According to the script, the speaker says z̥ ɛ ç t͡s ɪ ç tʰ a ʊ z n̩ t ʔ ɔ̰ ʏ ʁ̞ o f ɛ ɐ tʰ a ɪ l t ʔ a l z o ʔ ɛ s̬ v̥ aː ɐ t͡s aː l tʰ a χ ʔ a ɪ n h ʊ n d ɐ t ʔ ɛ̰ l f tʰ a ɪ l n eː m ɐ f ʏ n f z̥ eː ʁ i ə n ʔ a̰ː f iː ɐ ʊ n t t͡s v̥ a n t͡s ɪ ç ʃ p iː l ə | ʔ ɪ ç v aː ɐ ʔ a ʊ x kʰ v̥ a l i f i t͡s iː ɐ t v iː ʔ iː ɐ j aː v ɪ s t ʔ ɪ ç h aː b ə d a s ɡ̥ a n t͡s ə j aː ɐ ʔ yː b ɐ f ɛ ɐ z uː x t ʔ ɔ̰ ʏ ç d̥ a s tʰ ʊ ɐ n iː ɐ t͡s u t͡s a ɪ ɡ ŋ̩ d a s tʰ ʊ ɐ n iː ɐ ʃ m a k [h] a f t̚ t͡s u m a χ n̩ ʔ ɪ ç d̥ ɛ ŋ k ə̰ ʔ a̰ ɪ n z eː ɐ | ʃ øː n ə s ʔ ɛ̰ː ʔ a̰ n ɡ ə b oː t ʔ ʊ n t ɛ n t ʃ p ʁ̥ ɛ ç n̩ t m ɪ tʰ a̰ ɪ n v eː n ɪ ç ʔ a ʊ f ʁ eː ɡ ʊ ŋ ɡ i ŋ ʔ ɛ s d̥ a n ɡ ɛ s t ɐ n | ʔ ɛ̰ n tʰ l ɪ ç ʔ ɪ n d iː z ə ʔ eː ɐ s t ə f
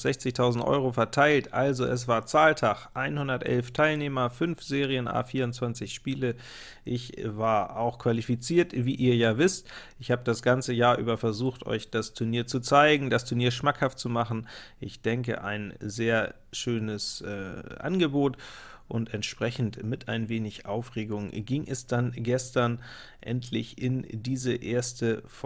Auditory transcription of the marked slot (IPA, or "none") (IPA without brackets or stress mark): h